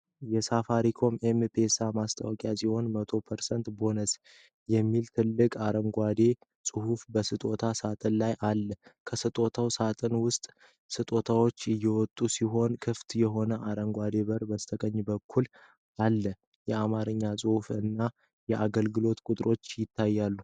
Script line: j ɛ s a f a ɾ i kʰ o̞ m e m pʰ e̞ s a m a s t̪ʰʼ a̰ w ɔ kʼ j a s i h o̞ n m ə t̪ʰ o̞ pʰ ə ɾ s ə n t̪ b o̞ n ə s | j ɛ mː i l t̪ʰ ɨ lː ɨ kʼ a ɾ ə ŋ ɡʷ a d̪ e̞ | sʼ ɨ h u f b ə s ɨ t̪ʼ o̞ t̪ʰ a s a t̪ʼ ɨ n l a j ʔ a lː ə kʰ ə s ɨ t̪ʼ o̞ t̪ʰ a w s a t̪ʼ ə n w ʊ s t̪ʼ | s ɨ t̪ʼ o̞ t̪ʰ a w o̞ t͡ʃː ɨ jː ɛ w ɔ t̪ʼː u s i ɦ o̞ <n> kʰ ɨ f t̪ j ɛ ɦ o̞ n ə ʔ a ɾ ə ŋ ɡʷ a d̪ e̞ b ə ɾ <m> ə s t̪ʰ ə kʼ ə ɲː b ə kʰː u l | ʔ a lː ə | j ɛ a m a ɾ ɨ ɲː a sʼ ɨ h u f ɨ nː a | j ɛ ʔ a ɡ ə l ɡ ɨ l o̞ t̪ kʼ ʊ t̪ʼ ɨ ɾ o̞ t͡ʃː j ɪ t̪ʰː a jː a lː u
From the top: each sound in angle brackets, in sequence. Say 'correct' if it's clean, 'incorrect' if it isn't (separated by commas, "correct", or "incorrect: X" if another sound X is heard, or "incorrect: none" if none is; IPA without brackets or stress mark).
correct, incorrect: b